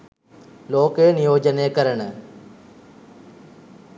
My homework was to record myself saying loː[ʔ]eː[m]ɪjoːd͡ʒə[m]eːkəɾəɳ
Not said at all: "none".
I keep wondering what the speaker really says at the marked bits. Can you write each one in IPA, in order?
k, n, n

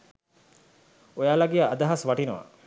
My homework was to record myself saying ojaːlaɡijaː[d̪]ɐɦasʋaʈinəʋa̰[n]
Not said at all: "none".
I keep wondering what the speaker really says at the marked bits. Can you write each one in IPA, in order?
d̪, none

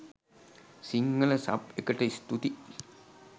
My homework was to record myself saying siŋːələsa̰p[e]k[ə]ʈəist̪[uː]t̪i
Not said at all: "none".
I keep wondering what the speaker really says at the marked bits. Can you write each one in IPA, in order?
e, ə, u

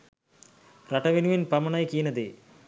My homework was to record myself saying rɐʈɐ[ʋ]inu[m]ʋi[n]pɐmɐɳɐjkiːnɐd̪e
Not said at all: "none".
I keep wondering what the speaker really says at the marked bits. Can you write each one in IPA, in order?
ʋ, none, n

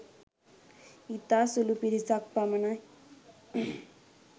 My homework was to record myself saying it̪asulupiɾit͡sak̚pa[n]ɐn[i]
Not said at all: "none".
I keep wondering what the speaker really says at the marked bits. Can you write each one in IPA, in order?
m, a

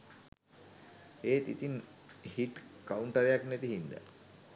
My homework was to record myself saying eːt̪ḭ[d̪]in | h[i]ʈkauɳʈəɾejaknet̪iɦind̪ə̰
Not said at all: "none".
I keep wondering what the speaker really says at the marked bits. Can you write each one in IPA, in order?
t̪, i

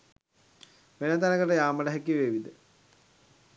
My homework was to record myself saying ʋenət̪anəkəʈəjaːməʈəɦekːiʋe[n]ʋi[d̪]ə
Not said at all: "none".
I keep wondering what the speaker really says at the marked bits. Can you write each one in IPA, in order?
none, d̪

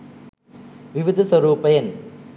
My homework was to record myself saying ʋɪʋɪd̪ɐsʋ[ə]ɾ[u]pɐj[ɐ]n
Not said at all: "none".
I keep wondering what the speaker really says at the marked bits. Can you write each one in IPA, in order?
ɐ, uː, ɐ

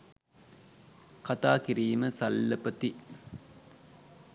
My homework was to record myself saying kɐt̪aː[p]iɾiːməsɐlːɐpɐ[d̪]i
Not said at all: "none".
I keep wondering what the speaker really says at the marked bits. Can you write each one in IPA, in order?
k, t̪

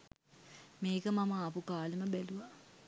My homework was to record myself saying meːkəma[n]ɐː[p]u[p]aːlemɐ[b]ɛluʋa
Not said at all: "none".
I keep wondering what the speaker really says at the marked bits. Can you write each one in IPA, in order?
m, p, k, b

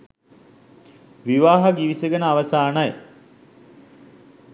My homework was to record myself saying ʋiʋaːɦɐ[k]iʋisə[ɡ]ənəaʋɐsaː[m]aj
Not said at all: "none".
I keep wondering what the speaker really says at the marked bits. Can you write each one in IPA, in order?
ɡ, ɡ, n

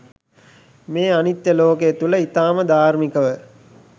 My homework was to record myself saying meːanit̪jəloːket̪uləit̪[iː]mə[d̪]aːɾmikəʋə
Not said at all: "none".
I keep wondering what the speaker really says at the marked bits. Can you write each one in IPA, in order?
aː, d̪

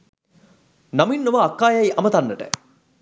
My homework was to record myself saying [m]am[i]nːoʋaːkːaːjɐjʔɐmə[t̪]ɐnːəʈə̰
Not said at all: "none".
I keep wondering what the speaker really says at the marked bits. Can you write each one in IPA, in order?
n, i, t̪

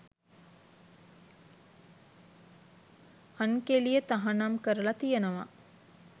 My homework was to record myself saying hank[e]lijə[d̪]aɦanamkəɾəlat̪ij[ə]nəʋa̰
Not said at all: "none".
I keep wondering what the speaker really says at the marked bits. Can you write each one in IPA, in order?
e, t̪, ə

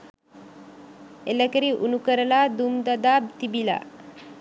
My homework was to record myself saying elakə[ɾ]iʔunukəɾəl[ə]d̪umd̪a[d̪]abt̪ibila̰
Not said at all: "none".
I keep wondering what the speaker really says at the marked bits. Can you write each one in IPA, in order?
ɾ, a, d̪

